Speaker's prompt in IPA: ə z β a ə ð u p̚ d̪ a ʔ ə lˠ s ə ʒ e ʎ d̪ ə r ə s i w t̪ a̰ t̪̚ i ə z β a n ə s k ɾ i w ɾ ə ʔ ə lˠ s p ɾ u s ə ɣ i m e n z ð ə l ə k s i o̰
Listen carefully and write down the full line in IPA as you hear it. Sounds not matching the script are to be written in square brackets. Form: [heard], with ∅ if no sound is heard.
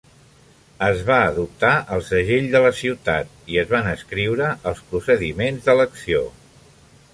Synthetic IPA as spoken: ə z β a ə ð u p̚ [t̪] a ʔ ə lˠ s ə ʒ e ʎ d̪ ə [l] ə s i w t̪ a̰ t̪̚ i ə z β a n ə s k ɾ i w ɾ ə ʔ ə lˠ s p ɾ u s ə [ð] i m e n z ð ə l ə k s i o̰